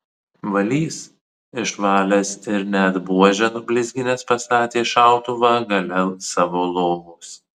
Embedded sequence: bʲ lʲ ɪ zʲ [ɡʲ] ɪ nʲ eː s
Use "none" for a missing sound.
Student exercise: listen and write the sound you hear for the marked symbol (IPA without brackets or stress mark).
ɡʲ